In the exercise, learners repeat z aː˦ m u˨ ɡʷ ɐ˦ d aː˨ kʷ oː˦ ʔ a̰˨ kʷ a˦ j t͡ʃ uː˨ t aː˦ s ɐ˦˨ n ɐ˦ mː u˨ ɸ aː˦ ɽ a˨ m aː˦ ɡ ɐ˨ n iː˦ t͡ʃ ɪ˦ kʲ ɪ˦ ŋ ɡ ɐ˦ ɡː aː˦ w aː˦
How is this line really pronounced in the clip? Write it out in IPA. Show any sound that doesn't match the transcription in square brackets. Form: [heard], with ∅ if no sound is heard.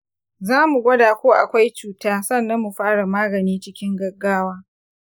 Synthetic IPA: z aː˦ m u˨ ɡʷ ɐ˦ d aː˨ kʷ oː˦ ʔ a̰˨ kʷ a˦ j t͡ʃ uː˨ t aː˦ s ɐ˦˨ [nː] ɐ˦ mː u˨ ɸ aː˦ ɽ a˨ m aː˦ ɡ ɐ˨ n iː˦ t͡ʃ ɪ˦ kʲ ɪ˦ ŋ ɡ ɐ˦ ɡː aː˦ w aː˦